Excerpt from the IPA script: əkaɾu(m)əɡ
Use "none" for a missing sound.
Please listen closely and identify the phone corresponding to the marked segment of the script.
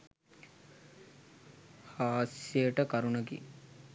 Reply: n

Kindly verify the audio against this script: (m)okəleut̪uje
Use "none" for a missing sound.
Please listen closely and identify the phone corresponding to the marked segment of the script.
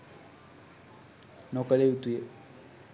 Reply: n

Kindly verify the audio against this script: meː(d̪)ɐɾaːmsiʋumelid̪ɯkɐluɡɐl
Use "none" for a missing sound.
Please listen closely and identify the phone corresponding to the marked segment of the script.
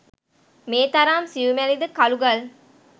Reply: t̪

